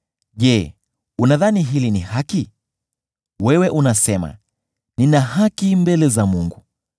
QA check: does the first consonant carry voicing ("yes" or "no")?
yes